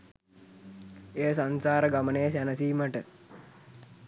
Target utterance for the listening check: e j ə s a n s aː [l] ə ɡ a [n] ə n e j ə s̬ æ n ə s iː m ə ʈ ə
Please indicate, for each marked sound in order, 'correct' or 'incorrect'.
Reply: incorrect, incorrect

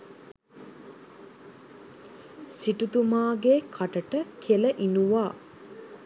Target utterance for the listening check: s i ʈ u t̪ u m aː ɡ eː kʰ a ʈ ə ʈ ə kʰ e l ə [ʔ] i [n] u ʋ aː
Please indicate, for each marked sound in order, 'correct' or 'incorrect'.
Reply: correct, correct

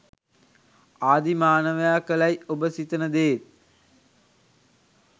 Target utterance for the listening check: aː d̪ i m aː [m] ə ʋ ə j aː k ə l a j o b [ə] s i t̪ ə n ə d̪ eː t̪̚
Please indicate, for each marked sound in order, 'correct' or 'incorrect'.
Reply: incorrect, correct

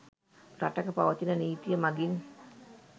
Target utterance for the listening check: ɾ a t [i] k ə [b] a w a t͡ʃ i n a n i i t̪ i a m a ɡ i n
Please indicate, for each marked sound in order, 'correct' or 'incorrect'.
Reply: incorrect, incorrect

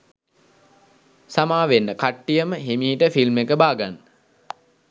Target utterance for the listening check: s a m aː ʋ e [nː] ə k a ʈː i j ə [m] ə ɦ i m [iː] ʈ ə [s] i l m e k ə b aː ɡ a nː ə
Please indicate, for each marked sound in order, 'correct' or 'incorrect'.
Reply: correct, correct, correct, incorrect

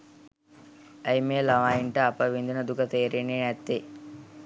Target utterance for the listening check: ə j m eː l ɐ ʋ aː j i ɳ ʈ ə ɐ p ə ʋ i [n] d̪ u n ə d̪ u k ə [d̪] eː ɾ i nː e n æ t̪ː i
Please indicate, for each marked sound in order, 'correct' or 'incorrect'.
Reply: correct, incorrect

